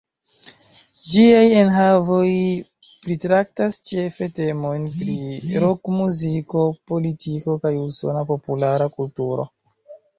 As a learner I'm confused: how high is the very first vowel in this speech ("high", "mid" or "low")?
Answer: high